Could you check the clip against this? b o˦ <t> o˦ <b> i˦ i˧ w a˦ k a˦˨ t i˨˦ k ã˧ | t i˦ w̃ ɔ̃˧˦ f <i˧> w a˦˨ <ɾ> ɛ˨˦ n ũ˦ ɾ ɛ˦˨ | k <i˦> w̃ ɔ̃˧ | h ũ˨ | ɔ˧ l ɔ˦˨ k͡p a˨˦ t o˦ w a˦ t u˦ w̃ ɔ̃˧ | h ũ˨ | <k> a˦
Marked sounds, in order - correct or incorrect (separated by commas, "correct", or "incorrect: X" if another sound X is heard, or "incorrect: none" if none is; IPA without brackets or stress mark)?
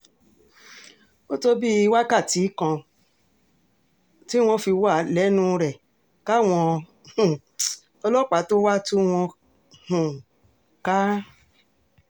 correct, correct, correct, incorrect: l, incorrect: a˦, correct